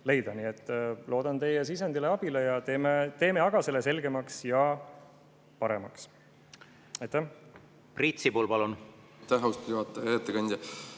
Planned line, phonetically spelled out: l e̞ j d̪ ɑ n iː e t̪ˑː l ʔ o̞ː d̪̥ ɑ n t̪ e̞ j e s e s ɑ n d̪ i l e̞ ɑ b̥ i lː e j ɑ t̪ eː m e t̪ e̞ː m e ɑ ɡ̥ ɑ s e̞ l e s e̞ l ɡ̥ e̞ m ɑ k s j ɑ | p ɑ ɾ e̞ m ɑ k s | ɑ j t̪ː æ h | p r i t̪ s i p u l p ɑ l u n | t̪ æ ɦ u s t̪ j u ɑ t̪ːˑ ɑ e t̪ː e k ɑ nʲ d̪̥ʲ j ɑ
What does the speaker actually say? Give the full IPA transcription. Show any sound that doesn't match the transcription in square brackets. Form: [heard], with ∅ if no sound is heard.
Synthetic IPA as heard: l e̞ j d̪ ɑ n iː e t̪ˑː l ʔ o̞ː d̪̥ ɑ n t̪ e̞ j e s [i] s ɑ n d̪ i l e̞ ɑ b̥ i [l] e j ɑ t̪ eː m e t̪ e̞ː m e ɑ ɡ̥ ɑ s e̞ l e s e̞ l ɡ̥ e̞ m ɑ k s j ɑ | p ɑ ɾ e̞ m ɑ k s | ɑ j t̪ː æ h | p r i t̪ s i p u l p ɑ l u n | t̪ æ ɦ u s t̪ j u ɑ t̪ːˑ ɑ e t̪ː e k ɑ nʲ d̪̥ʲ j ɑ